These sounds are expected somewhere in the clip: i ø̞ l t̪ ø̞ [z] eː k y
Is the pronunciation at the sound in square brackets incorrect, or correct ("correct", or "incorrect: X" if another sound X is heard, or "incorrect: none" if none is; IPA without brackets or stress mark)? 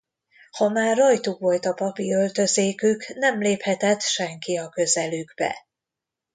correct